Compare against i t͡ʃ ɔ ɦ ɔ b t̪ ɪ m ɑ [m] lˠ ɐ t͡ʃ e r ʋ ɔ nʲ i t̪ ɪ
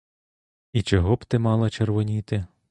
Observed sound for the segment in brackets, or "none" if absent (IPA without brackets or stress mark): none